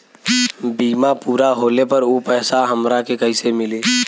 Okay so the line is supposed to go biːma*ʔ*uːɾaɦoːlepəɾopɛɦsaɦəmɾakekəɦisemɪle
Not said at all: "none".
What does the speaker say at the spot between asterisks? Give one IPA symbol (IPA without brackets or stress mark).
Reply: p